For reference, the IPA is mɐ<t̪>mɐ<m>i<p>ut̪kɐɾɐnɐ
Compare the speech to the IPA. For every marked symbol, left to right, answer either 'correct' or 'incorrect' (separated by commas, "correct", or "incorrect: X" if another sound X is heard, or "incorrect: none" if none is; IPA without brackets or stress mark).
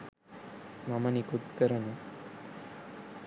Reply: incorrect: none, incorrect: n, incorrect: k